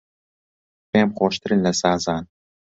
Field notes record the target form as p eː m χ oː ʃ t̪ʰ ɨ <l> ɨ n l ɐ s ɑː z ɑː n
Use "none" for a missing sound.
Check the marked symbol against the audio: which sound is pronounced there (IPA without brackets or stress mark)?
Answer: ɾ